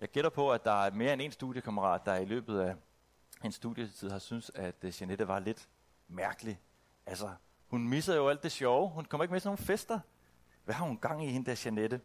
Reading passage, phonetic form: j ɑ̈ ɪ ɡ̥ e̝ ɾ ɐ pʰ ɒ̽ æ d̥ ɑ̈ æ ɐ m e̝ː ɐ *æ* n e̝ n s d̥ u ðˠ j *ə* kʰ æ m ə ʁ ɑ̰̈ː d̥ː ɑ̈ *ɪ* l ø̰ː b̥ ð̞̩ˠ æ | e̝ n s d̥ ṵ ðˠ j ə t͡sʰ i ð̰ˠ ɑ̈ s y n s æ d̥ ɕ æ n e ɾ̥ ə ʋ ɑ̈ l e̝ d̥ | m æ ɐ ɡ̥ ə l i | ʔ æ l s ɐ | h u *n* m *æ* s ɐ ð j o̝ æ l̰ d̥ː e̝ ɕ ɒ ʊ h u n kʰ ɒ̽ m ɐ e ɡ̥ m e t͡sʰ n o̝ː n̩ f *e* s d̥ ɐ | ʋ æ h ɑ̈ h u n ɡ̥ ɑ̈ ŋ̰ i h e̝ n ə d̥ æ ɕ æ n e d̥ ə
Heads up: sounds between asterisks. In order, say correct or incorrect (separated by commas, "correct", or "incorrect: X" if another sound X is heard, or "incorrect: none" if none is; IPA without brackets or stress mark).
incorrect: e, correct, incorrect: i, correct, incorrect: i, correct